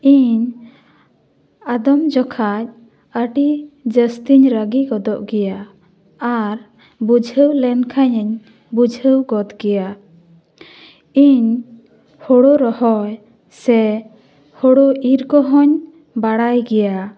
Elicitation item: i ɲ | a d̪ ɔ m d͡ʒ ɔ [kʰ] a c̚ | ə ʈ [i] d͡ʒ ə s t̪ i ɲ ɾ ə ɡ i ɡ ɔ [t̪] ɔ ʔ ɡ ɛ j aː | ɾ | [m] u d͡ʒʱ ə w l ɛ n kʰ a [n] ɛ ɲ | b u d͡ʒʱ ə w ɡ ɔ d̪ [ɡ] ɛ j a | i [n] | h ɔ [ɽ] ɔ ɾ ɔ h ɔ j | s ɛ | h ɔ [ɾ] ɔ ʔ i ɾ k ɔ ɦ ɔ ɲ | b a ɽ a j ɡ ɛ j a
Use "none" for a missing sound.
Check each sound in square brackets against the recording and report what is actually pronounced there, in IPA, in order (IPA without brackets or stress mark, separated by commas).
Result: kʰ, i, d̪, b, ɲ, ɡ, ɲ, ɽ, ɽ